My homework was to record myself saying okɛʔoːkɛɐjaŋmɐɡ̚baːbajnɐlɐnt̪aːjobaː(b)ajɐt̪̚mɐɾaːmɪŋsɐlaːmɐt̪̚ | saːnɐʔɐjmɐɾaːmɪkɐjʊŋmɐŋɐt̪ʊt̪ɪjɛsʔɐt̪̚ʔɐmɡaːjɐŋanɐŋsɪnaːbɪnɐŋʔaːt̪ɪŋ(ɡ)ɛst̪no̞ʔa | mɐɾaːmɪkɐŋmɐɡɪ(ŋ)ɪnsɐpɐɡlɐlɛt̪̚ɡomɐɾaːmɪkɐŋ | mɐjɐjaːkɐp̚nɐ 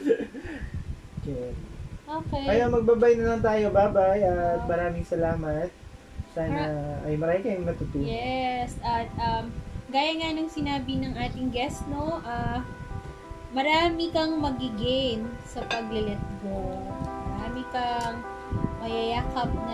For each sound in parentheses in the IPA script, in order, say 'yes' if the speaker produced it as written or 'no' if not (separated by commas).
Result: yes, yes, no